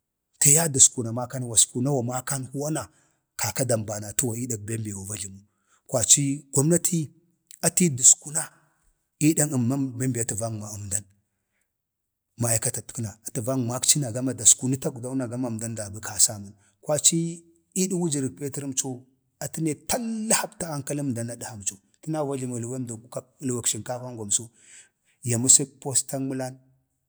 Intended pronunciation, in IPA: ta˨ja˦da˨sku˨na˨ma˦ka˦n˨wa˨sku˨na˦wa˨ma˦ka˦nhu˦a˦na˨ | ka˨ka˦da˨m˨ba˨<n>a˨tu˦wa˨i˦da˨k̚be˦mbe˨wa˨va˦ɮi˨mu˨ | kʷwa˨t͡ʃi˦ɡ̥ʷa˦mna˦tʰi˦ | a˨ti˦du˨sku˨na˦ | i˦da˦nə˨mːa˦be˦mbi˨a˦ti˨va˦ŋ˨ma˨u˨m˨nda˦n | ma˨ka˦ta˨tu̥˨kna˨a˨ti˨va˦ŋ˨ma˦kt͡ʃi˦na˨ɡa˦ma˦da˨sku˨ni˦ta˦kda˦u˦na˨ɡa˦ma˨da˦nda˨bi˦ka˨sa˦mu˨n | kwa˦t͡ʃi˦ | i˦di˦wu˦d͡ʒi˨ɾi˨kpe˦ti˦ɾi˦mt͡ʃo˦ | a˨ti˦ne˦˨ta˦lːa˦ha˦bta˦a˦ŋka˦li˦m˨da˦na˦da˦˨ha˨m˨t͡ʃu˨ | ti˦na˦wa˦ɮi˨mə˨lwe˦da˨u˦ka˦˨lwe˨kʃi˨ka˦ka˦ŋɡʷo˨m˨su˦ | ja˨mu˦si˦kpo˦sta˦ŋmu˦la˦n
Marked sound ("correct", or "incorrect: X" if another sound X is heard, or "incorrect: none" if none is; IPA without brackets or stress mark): correct